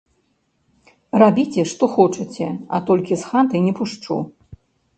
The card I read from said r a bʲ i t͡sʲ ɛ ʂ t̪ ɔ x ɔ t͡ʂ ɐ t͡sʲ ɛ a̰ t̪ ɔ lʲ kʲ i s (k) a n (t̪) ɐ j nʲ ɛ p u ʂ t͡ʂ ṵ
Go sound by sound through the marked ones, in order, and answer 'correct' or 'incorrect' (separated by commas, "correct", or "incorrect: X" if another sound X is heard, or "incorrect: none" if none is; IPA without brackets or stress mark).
incorrect: x, correct